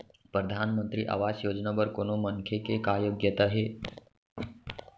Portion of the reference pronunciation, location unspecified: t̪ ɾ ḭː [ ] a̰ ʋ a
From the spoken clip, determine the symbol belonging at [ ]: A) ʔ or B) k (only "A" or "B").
A